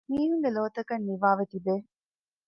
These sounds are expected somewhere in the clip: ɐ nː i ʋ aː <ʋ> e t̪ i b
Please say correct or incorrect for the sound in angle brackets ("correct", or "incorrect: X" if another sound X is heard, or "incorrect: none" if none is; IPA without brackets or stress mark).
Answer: correct